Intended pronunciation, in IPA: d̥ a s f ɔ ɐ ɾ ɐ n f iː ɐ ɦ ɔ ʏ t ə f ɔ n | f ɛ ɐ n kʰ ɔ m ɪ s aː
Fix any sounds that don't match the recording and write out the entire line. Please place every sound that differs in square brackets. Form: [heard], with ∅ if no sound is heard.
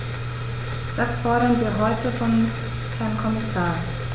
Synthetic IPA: d̥ a s f ɔ ɐ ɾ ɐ n [v] iː ɐ ɦ ɔ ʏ t ə f ɔ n | [h] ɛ ɐ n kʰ ɔ m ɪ s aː